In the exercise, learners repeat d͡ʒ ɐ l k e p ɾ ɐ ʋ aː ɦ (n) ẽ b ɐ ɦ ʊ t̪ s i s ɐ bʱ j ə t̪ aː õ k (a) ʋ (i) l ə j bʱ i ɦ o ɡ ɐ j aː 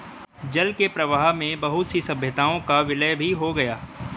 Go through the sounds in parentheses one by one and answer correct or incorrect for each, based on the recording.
incorrect: m, correct, incorrect: ɪ

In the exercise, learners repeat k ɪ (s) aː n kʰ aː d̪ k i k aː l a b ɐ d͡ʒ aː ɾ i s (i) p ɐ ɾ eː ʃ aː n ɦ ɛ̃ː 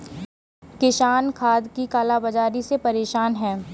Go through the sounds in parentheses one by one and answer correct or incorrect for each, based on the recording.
incorrect: ʃ, incorrect: e

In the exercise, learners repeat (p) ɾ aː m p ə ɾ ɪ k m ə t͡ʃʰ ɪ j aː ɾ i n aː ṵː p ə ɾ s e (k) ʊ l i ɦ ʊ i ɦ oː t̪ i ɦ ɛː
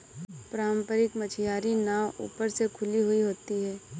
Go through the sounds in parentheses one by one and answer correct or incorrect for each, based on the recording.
correct, incorrect: kʰ

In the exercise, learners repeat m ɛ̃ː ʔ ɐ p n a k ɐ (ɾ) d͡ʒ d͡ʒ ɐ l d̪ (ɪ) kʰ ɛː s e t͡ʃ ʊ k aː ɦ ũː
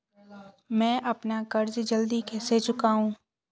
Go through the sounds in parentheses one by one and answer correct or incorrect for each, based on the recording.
correct, incorrect: i

